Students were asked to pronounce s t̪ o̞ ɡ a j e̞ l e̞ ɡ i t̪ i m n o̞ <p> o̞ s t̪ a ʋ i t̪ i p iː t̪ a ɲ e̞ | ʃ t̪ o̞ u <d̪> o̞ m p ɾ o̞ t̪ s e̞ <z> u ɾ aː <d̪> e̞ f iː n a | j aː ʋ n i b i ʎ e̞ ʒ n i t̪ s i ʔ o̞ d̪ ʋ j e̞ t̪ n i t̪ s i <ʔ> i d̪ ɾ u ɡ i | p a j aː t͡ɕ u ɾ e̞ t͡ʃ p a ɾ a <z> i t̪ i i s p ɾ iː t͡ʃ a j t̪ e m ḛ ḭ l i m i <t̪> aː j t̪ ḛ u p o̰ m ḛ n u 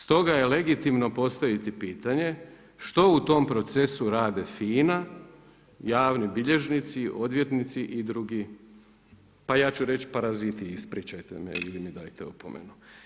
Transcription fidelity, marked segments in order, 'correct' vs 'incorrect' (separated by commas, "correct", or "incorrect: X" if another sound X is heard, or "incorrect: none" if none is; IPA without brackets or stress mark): correct, incorrect: t̪, incorrect: s, correct, correct, correct, incorrect: d̪